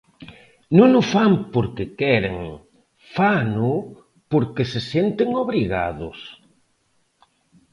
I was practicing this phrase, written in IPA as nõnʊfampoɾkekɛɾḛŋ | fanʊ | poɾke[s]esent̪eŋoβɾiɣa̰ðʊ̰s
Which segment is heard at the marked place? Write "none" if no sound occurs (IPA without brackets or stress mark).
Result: s